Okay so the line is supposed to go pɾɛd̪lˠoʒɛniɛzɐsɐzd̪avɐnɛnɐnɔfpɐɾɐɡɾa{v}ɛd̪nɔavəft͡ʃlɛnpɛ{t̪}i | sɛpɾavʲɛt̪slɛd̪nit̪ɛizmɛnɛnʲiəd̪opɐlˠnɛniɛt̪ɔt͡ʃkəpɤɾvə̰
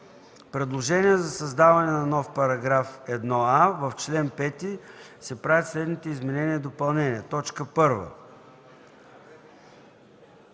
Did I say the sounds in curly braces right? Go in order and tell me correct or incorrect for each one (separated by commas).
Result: incorrect, correct